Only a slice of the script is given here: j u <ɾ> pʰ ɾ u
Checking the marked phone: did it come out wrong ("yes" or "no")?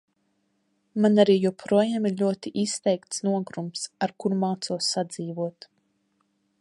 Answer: yes